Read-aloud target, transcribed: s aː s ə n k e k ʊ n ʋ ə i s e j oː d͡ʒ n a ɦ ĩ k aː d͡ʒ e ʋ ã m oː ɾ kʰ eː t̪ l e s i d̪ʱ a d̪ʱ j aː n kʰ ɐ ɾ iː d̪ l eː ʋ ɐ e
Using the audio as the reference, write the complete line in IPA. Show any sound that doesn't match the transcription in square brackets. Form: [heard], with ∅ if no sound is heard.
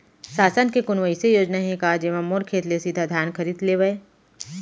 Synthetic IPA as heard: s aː s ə n k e k ʊ n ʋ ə i s e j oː d͡ʒ n a ɦ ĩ k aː d͡ʒ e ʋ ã m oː ɾ kʰ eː t̪ l e s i d̪ʱ a d̪ʱ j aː n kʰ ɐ ɾ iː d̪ l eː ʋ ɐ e